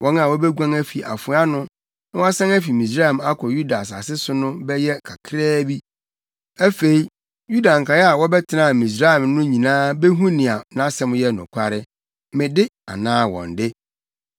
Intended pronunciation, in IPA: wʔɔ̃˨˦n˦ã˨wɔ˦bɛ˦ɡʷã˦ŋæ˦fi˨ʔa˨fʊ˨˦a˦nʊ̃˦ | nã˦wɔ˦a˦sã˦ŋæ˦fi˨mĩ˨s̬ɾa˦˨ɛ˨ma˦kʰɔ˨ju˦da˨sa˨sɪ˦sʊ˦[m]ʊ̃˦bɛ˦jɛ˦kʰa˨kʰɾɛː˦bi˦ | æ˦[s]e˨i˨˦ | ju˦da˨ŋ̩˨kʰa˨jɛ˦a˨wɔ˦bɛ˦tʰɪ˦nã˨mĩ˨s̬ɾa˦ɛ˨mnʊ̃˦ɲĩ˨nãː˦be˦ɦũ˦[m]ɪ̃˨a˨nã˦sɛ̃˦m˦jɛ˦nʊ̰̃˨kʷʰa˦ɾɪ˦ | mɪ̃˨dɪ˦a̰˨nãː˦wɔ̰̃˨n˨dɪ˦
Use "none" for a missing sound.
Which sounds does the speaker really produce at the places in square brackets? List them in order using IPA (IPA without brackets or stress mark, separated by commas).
n, f, n